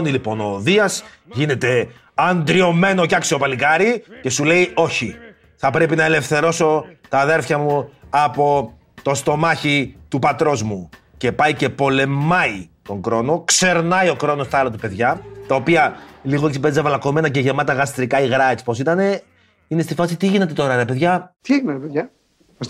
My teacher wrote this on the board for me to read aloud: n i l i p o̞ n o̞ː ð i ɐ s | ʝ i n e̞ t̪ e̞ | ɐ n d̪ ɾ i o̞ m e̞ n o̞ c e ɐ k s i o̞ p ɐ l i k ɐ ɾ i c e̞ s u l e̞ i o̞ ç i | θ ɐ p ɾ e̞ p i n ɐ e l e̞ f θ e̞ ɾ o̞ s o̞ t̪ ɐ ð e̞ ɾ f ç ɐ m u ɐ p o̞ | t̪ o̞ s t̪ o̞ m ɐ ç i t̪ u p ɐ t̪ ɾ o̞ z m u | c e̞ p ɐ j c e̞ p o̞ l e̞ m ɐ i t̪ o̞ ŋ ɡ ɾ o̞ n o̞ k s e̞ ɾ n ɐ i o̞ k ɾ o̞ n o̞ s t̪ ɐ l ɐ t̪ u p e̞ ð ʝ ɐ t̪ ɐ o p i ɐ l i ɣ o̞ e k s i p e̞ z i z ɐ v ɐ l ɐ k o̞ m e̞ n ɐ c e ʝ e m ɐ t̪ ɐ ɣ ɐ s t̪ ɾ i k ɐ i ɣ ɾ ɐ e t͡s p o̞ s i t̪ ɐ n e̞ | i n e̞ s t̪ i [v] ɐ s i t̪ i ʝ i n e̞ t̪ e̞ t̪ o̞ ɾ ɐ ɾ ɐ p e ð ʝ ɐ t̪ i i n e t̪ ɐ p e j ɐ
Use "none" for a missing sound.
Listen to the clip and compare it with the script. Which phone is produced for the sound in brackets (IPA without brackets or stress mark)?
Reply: f